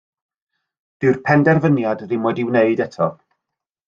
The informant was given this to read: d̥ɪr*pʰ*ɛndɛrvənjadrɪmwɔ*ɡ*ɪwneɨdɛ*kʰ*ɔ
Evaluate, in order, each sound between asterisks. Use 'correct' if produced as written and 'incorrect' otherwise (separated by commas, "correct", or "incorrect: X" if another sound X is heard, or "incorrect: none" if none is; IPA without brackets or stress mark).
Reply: correct, incorrect: d, incorrect: tʰ